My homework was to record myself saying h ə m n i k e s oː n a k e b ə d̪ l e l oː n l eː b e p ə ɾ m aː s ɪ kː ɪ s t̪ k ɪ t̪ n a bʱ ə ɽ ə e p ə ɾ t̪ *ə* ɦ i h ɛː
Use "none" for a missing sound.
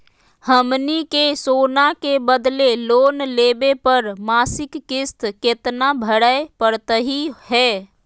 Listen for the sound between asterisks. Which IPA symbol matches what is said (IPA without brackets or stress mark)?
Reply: ə